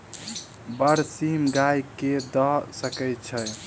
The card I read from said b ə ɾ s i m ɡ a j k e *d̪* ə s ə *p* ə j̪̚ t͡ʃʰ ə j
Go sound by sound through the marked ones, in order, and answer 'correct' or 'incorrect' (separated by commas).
correct, incorrect